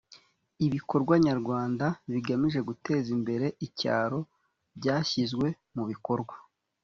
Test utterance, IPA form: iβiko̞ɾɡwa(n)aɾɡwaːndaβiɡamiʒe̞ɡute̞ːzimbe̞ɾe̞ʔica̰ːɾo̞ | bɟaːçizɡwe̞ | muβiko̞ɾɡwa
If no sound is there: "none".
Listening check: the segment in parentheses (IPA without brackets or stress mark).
ɲ